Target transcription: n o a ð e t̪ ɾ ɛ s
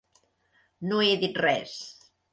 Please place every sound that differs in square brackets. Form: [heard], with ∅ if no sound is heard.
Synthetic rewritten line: n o [e] ð [i] t̪ [r] ɛ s